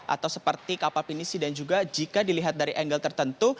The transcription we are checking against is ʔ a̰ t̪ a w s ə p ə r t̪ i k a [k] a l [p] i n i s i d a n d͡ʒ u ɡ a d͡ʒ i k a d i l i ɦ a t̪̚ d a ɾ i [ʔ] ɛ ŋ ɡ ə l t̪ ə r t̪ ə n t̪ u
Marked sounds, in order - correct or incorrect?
incorrect, correct, correct

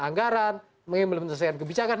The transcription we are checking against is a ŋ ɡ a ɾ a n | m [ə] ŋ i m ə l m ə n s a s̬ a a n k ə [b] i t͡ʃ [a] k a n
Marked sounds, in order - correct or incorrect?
correct, correct, correct

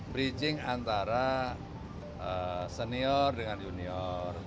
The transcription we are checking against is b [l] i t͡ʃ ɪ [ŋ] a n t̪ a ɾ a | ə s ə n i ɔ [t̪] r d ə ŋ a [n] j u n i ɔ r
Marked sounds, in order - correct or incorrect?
incorrect, correct, incorrect, correct

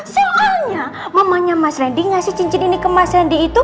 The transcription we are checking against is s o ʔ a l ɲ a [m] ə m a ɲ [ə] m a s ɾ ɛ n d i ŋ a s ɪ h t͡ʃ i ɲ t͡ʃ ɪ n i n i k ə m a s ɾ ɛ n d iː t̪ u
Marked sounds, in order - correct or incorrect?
correct, incorrect

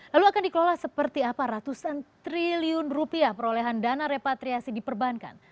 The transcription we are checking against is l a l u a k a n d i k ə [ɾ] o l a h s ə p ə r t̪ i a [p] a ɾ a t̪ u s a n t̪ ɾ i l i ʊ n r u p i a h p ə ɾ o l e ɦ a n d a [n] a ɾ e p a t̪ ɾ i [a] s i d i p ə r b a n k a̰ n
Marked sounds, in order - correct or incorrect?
incorrect, correct, correct, correct

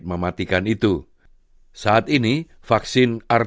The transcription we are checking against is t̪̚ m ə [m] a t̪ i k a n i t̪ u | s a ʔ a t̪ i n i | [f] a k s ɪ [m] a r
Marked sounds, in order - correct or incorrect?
correct, correct, incorrect

